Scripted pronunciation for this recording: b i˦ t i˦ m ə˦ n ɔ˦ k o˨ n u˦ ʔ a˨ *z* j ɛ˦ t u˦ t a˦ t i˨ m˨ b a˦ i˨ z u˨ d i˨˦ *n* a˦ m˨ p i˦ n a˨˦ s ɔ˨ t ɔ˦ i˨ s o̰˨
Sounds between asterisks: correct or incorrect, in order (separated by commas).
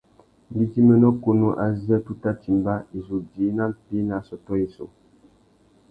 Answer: correct, correct